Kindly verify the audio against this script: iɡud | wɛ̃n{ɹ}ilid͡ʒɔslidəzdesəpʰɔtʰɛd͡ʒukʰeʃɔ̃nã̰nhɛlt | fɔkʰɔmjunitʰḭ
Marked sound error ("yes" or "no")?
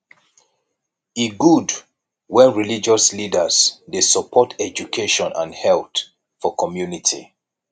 no